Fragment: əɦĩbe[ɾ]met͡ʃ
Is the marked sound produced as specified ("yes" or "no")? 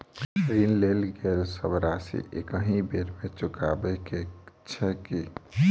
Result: yes